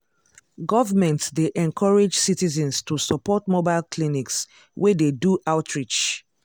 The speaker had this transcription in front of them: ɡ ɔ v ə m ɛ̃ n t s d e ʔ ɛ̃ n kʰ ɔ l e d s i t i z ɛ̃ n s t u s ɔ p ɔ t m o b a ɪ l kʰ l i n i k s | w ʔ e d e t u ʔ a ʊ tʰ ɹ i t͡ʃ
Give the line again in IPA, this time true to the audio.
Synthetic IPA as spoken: ɡ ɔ v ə m ɛ̃ n t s d e ʔ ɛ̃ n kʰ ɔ ɹ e d͡ʒ s i t i z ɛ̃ n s t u s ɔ p ɔ t m o b a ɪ l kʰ l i n i k s | w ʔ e d e d u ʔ a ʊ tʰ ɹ i t͡ʃ